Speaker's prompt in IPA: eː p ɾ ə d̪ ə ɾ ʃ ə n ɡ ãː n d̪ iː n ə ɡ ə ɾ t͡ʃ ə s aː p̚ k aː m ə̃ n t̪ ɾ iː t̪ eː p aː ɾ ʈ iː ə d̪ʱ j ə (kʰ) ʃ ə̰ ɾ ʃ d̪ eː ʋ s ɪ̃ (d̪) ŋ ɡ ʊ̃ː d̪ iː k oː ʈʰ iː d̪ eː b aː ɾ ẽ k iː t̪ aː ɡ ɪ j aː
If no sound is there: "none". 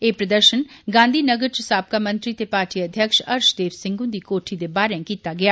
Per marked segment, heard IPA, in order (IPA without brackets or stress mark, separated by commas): k, none